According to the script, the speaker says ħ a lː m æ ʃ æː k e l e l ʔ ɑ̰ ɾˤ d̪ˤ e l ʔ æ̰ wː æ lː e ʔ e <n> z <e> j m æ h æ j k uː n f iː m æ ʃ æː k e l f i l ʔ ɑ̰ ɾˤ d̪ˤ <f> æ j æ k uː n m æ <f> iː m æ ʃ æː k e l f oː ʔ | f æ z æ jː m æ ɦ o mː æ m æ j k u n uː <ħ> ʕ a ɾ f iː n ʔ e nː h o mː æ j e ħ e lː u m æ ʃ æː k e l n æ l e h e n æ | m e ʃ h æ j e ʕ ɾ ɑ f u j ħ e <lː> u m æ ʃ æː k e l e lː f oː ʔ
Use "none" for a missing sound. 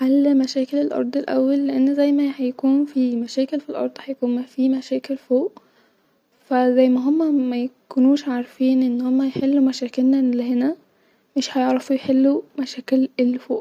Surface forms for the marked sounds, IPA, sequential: nː, æ, h, f, ʃ, lː

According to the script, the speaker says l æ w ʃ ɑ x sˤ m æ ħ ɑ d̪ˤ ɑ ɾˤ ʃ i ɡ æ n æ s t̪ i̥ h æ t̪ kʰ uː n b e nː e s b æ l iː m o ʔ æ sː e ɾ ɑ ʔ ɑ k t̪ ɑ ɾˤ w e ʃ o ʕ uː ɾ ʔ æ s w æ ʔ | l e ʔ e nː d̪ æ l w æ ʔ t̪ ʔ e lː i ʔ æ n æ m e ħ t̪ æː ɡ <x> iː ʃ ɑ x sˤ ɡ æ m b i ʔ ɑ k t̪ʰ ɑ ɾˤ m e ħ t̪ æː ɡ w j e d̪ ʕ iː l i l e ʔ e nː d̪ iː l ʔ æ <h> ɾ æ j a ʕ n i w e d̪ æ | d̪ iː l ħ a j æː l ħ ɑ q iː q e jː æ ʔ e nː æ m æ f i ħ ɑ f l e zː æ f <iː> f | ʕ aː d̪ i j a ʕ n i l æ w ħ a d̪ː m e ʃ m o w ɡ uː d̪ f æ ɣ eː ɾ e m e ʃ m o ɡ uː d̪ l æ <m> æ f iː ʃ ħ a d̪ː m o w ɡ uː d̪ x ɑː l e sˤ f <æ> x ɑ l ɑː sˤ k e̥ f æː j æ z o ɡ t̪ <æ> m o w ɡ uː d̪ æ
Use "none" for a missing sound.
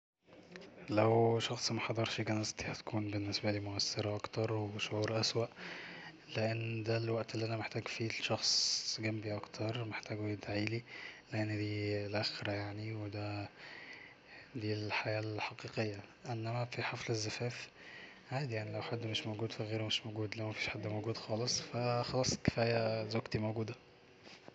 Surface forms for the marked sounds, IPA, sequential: f, x, æː, m, æ, i

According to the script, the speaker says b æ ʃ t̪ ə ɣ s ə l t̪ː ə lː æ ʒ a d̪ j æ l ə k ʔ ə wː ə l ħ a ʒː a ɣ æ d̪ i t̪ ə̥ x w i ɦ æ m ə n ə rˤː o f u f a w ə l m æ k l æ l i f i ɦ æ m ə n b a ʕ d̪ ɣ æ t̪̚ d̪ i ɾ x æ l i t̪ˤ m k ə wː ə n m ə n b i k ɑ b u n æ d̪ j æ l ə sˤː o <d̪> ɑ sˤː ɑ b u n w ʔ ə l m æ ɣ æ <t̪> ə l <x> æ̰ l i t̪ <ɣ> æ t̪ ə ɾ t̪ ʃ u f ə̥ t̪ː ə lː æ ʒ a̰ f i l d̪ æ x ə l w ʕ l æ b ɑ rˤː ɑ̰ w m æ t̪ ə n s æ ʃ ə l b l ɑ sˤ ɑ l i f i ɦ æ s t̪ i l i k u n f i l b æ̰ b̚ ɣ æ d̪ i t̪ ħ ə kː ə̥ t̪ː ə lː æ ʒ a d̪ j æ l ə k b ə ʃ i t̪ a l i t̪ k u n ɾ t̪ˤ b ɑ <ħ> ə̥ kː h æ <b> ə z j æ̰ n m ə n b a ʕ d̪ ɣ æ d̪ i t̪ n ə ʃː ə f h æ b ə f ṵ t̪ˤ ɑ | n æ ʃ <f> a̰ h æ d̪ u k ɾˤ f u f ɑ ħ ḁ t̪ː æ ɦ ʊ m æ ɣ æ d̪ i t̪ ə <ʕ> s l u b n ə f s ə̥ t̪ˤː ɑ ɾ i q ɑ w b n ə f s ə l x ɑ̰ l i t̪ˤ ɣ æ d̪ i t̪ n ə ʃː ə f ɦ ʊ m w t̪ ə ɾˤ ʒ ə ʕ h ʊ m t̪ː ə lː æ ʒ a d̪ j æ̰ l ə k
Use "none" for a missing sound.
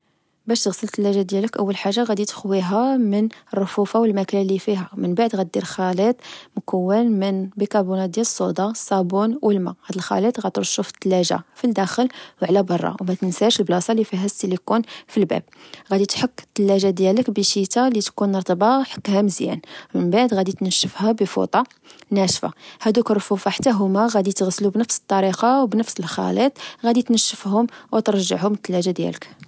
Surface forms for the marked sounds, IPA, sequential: d̪, d̪, x, ɣ, ħ, m, f, ɣ

